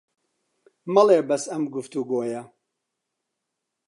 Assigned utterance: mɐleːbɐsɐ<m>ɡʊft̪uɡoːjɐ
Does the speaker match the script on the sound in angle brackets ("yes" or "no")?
yes